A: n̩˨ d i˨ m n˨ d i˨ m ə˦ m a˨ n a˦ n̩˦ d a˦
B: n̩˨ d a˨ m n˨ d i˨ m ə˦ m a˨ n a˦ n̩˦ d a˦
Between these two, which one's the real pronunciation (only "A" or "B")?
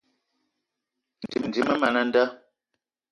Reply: A